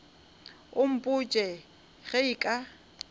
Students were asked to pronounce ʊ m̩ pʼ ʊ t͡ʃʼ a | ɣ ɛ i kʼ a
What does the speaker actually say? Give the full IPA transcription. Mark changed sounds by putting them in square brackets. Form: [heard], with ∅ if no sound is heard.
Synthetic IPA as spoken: ʊ m̩ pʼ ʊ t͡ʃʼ [ɛ] | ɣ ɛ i kʼ a